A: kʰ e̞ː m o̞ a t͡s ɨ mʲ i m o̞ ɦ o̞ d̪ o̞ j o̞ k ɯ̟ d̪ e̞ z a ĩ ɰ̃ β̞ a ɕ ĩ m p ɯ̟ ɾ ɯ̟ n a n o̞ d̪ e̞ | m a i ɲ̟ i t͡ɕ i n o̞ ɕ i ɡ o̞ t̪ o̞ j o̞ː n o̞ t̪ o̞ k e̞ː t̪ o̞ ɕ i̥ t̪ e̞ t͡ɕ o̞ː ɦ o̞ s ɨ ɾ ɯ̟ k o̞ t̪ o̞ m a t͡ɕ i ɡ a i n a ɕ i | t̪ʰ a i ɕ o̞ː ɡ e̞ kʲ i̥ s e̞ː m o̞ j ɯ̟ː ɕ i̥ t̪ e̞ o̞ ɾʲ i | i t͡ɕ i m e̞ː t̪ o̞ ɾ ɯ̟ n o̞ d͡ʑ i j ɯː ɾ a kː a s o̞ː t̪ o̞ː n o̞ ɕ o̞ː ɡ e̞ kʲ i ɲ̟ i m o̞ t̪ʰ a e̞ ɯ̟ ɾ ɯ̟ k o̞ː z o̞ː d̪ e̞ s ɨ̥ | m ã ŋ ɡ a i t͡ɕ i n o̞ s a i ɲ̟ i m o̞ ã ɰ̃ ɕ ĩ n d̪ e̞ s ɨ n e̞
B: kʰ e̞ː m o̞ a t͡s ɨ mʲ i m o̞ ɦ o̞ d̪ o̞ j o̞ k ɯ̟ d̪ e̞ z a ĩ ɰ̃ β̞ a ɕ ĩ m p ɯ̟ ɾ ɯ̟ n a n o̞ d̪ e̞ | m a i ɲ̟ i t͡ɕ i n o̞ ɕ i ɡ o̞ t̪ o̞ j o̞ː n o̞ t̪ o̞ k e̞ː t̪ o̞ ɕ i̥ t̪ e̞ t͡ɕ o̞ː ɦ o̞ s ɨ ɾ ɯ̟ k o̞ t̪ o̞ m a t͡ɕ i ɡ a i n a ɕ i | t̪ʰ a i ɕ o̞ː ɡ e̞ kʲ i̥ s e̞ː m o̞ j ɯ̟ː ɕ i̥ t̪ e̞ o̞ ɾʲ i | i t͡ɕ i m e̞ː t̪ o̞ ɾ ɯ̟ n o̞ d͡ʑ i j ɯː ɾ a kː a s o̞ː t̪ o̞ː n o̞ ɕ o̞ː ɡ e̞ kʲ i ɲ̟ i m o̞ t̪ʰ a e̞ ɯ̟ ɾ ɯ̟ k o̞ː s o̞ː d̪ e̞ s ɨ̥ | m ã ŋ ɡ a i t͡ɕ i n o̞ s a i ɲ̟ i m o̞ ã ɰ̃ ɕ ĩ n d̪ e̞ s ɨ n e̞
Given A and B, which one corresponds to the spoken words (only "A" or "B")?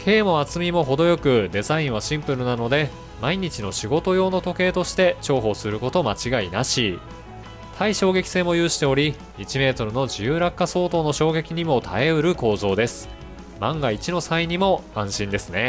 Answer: A